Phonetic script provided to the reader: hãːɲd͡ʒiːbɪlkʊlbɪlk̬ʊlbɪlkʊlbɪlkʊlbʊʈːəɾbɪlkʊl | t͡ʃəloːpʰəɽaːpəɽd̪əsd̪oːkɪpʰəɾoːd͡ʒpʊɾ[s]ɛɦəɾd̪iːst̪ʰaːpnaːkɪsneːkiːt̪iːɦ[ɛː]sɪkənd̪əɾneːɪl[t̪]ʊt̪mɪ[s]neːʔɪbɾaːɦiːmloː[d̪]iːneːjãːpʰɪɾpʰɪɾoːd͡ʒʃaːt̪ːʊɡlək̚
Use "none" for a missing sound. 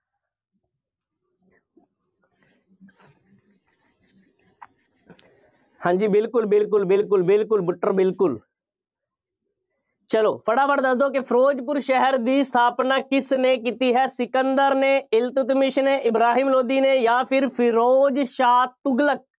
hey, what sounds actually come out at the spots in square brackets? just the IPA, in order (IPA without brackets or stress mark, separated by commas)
ʃ, ɛː, t̪, ʃ, d̪